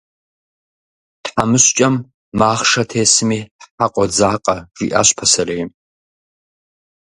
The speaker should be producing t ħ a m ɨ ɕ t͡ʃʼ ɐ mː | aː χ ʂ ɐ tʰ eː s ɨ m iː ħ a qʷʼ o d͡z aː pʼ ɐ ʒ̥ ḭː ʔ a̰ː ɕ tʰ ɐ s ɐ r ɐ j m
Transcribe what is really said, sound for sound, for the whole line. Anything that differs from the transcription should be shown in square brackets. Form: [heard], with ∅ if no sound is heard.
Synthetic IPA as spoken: t ħ a m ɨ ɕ t͡ʃʼ ɐ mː | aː χ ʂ ɐ tʰ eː s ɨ m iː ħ a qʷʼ [ɔ] d͡z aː [qʼ] ɐ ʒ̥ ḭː ʔ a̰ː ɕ [pʰ] ɐ s ɐ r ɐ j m